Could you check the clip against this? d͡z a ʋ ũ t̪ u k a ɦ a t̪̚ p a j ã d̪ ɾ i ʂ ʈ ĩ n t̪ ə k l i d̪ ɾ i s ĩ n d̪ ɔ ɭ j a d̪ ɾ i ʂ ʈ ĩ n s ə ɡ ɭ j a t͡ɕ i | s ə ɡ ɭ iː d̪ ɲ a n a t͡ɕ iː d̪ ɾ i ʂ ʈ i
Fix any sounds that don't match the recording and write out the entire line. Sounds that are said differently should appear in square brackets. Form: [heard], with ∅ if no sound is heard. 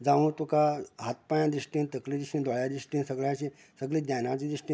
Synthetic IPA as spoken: d͡z a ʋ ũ t̪ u k a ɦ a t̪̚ p a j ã d̪ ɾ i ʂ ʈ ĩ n t̪ ə k l i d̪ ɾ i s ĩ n d̪ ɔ ɭ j a d̪ ɾ i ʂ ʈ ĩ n s ə ɡ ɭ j a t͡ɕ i | s ə ɡ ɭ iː d̪ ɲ a n a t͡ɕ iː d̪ ɾ i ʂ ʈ i